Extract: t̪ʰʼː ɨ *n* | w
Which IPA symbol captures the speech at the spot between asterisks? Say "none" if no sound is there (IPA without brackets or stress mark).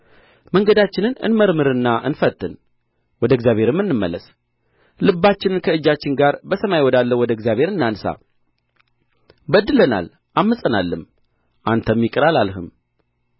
n